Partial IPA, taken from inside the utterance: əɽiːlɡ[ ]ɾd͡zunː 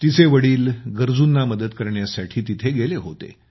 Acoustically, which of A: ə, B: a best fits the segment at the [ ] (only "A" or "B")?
A